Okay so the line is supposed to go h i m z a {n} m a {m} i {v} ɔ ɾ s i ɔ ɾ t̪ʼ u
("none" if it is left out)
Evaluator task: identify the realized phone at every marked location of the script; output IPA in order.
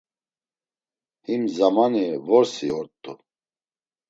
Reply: none, n, v

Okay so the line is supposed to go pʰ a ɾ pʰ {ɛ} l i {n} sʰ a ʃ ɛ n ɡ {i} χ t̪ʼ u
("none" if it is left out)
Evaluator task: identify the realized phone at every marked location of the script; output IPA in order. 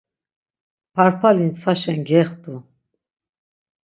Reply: a, n, ɛ

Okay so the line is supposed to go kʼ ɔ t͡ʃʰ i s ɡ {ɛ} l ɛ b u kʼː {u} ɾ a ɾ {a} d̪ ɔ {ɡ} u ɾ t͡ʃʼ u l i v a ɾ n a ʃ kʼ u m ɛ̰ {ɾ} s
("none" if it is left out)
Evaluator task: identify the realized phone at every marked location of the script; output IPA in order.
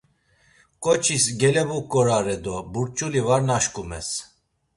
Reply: ɛ, ɔ, ɛ, b, none

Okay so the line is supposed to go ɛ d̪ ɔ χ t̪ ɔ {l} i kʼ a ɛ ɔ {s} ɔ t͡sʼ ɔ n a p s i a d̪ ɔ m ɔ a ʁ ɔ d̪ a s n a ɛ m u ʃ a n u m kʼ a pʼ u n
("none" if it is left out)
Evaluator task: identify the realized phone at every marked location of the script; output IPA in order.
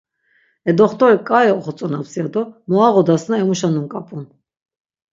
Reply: ɾ, χ

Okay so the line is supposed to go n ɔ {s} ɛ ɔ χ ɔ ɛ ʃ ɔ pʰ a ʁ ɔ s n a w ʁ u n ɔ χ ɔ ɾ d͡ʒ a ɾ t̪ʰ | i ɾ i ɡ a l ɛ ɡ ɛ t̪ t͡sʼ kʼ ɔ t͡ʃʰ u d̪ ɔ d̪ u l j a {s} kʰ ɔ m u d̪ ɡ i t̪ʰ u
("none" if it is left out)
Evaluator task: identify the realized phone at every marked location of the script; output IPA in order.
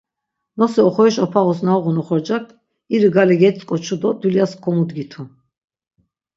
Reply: s, s

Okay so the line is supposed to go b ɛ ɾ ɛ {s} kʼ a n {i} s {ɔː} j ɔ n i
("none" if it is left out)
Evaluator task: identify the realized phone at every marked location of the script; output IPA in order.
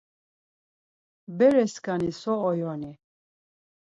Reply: s, i, ɔː

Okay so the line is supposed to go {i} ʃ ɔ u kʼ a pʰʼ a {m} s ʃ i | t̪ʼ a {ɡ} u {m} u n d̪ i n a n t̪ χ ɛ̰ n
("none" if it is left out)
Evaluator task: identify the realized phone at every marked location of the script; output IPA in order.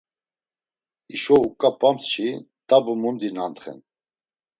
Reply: i, m, b, m

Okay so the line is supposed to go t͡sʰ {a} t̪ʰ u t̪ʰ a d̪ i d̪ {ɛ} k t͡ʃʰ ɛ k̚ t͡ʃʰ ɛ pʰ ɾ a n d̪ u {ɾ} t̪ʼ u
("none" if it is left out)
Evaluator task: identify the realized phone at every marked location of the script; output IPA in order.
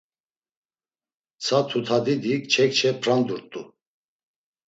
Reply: a, i, ɾ

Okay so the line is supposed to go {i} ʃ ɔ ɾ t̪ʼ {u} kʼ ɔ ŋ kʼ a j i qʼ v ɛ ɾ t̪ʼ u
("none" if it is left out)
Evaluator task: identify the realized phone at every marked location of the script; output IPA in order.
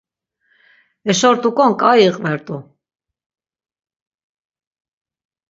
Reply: ɛ, u

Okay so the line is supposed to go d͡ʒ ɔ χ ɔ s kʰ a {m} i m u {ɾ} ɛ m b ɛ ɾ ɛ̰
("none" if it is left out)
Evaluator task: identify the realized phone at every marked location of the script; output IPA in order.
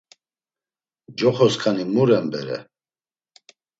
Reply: n, ɾ

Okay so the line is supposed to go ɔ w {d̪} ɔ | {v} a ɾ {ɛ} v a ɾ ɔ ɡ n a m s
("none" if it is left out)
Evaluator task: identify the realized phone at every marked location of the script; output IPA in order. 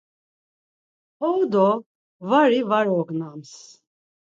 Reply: d̪, v, i

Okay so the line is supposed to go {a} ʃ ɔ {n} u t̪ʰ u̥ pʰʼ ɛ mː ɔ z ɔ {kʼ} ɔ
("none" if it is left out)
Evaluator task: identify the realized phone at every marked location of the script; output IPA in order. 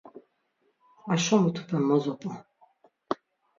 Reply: a, m, pʼ

